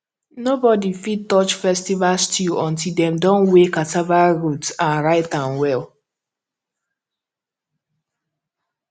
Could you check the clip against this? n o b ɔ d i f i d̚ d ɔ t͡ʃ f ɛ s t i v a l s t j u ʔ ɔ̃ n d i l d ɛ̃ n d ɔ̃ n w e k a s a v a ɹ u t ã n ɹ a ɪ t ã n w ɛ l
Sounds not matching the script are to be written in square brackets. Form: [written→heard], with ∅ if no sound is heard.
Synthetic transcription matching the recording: n o b ɔ d i f i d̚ [d→t] ɔ t͡ʃ f ɛ s t i v a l s t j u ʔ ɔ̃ n [d→t] i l d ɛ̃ [n→m] d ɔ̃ n w e k a [s→t] a v a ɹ u t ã n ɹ a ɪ t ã n w ɛ l